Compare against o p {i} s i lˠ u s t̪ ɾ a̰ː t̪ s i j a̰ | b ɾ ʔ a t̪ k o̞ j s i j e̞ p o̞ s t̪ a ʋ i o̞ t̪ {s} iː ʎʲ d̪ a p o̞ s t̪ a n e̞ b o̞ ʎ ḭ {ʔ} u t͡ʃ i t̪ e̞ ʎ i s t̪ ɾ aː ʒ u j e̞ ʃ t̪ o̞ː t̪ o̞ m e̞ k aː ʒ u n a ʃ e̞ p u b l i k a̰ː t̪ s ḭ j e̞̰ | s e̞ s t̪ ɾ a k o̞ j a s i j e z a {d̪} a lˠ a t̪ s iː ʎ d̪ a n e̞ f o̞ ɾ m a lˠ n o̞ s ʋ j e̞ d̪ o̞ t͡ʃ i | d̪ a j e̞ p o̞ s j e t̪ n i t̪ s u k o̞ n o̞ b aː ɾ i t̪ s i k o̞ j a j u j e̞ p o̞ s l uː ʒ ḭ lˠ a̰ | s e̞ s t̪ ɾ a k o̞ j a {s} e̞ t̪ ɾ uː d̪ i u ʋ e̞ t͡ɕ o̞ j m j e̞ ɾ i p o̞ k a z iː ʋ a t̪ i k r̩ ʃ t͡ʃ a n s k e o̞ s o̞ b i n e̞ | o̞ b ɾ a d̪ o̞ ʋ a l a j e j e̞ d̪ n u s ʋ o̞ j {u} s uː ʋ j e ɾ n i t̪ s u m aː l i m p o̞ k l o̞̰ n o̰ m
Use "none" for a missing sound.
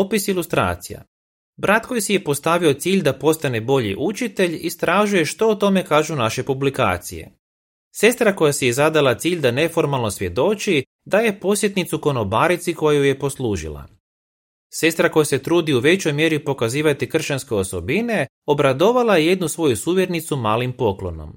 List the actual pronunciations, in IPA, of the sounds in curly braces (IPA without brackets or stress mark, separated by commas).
i, s, ʔ, d̪, s, u